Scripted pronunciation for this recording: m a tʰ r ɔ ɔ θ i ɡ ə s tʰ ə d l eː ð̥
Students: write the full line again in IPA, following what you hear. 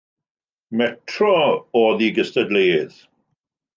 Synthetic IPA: m ɛ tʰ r ɔ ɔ ð i ɡ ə s t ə d l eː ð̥